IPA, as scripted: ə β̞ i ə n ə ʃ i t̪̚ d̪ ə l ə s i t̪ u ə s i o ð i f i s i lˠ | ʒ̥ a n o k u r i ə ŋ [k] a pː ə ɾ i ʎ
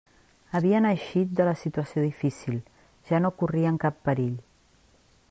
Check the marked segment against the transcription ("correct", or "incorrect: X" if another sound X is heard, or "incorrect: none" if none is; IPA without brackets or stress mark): correct